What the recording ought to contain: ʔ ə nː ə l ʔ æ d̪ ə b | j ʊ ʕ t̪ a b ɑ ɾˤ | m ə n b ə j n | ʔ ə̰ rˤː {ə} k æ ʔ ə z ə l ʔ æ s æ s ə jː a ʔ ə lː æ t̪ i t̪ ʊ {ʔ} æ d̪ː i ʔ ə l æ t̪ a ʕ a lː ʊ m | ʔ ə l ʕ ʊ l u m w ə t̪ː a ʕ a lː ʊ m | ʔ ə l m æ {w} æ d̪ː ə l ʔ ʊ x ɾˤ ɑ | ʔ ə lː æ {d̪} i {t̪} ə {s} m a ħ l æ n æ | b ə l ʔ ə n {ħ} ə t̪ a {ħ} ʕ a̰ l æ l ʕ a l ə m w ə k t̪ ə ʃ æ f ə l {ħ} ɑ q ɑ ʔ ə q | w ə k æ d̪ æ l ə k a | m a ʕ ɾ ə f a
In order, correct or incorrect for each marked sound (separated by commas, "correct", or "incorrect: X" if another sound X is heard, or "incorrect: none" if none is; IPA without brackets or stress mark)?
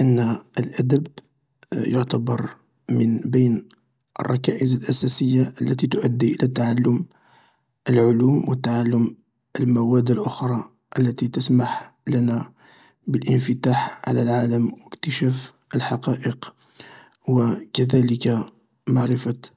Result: incorrect: ɑ, correct, correct, incorrect: t̪, correct, correct, incorrect: f, correct, correct